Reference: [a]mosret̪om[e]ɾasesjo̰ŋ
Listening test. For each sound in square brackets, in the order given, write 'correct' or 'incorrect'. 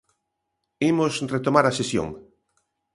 incorrect, incorrect

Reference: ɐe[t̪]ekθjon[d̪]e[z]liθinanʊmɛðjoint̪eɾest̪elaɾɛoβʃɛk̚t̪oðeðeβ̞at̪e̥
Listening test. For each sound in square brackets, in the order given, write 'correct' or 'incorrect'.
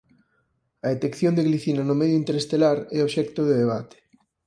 correct, correct, incorrect

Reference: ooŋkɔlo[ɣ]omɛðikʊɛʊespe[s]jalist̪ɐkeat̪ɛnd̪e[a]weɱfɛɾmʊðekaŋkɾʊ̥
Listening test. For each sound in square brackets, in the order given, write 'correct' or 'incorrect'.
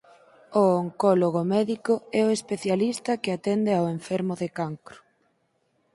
correct, incorrect, correct

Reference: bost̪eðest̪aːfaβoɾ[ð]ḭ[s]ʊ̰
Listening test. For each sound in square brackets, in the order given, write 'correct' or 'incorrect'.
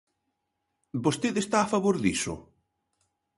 correct, correct

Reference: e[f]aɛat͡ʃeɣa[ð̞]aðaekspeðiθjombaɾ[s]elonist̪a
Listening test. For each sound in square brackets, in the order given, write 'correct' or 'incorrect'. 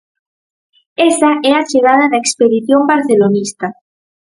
incorrect, correct, incorrect

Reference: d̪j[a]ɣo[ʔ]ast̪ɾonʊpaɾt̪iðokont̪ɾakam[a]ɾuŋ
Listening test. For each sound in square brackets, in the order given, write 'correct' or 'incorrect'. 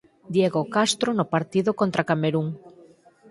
incorrect, incorrect, incorrect

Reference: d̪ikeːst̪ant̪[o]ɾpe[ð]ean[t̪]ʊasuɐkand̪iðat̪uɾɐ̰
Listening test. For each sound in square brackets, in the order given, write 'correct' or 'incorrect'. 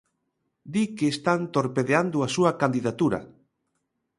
correct, correct, incorrect

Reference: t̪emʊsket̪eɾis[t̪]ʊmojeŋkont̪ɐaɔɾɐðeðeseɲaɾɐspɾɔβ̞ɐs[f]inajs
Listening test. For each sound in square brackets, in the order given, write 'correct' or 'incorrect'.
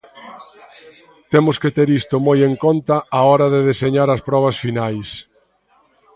correct, correct

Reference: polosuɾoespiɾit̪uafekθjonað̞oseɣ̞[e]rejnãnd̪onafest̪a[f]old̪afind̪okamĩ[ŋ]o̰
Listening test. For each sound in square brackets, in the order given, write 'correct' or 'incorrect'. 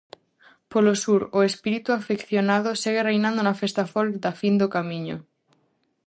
correct, correct, incorrect

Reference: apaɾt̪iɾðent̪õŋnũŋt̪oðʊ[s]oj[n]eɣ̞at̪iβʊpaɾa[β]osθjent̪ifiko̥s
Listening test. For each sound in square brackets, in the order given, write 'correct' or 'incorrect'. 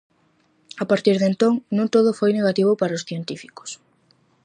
incorrect, correct, incorrect

